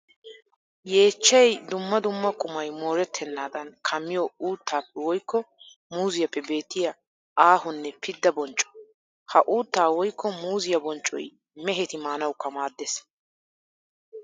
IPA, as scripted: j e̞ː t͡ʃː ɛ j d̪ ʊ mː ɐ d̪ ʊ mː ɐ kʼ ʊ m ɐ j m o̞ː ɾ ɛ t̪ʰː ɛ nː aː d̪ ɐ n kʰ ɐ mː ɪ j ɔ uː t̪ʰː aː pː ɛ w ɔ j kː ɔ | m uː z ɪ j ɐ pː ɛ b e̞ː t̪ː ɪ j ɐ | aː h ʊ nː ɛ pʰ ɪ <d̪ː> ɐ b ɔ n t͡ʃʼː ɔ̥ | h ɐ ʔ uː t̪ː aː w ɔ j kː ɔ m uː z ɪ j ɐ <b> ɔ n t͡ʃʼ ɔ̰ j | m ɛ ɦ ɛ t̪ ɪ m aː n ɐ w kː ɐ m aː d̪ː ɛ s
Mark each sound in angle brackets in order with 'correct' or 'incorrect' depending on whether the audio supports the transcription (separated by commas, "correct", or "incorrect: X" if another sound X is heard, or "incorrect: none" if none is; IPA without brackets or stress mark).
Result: correct, correct